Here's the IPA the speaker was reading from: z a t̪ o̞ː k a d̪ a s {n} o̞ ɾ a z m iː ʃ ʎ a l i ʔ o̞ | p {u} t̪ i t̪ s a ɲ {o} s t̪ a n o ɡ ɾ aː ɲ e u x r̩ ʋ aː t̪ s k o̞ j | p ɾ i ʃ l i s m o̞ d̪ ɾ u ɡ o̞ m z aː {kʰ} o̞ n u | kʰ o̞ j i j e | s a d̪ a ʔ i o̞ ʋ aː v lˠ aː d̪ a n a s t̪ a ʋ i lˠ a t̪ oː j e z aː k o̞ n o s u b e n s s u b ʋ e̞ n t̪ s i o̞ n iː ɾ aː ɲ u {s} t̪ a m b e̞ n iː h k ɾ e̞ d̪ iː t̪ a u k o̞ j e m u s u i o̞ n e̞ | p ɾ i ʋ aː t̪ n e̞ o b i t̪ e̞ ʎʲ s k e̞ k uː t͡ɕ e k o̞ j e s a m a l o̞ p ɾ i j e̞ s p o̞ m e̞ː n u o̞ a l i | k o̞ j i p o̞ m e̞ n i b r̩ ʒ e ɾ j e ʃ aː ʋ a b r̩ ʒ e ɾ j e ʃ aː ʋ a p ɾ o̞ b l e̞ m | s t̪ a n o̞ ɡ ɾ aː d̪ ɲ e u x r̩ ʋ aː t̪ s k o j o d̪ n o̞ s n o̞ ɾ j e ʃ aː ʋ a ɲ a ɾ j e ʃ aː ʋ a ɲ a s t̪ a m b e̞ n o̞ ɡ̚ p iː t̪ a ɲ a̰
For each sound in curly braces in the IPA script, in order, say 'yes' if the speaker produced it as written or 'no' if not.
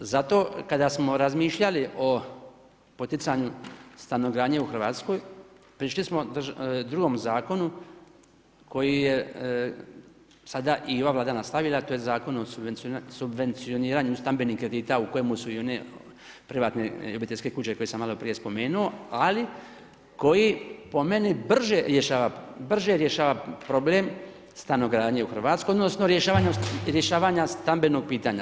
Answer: no, no, no, no, yes

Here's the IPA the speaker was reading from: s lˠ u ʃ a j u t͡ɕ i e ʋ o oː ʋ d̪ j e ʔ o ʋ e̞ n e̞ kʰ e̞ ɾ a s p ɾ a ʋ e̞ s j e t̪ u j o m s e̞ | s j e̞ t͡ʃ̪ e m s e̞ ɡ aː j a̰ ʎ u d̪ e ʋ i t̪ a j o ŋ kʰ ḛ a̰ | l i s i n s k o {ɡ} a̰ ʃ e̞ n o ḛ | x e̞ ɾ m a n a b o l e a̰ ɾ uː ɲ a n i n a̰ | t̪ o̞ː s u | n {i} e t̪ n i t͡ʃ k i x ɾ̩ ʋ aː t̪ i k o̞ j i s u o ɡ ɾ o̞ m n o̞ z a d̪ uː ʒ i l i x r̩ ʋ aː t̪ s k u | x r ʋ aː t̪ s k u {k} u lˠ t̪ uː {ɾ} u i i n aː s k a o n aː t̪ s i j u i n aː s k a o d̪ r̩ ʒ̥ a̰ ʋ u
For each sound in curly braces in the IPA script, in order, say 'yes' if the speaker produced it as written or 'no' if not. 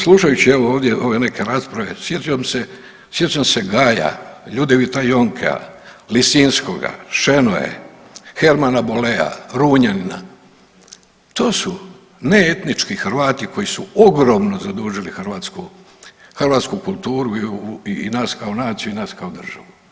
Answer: yes, no, yes, yes

